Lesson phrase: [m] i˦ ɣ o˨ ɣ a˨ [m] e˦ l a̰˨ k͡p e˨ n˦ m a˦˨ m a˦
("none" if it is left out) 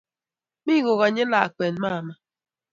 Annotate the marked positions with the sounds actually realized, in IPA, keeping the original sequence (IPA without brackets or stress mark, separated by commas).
m, ɲ